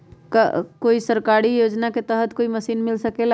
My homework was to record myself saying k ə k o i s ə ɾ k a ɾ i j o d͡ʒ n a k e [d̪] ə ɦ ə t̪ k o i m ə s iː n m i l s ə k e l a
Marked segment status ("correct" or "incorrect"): incorrect